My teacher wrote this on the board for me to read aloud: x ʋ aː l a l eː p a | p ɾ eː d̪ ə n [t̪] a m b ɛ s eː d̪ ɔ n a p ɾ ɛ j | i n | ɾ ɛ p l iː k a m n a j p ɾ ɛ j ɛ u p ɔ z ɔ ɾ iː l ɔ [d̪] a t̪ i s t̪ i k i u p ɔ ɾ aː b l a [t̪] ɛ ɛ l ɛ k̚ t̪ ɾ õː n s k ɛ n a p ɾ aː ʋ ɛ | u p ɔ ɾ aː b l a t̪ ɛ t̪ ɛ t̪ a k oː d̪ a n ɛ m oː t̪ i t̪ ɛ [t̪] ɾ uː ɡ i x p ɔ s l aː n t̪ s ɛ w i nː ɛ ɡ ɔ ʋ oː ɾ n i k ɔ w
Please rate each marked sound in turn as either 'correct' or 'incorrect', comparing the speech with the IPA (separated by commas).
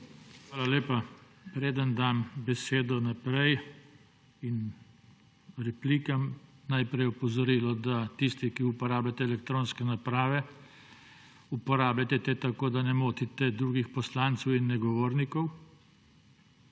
incorrect, correct, correct, incorrect